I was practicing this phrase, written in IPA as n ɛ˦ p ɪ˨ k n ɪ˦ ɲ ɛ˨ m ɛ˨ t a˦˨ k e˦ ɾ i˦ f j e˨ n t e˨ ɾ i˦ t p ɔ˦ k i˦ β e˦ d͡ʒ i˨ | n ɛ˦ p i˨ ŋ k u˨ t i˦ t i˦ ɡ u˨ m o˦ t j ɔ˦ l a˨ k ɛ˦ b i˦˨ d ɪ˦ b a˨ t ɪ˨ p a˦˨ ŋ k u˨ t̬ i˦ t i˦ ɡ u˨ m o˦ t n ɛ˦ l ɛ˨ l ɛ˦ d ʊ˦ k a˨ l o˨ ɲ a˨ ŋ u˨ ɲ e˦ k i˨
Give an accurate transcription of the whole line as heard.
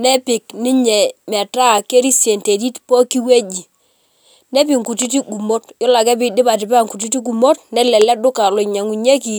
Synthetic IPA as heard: n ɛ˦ p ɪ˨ k n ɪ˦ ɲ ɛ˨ m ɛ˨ t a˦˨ k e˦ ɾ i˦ s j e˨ n t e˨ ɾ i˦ t p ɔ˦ k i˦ w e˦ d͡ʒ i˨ | n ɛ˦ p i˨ ŋ k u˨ t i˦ t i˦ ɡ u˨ m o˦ t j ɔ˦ l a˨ k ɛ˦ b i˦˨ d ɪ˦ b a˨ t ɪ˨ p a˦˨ ŋ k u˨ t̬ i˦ t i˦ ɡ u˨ m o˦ t n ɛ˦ l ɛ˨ l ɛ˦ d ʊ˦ k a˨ l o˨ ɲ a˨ ŋ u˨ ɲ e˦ k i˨